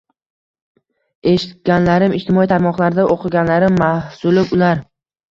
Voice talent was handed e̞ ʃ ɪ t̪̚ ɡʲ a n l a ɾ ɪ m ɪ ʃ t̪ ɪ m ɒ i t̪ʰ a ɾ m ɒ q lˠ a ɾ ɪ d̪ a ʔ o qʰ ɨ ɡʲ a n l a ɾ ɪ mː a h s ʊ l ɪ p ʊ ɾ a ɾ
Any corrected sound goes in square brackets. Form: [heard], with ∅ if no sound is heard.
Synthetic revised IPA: e̞ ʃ ɪ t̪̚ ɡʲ a n l a ɾ ɪ m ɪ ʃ t̪ ɪ m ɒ i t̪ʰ a ɾ m ɒ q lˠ a ɾ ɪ d̪ a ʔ o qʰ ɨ ɡʲ a n l a ɾ ɪ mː a h s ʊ l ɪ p ʊ [l] a ɾ